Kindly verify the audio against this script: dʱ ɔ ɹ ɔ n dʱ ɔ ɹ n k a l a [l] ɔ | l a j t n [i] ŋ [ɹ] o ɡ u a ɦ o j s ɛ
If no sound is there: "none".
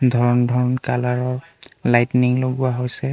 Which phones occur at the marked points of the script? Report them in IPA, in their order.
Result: ɹ, i, l

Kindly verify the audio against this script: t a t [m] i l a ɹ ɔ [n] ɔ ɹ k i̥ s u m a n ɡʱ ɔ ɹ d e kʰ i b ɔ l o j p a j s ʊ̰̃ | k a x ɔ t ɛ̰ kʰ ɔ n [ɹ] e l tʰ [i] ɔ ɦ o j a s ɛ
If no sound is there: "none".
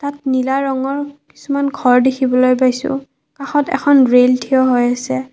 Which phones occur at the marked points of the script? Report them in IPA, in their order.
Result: n, ŋ, ɹ, i

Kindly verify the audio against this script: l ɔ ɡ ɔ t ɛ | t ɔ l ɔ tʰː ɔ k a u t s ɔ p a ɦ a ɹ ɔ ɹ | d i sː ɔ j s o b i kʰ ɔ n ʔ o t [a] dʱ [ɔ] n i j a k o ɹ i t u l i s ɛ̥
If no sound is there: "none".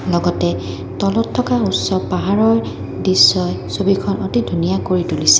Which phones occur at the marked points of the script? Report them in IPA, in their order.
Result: i, u

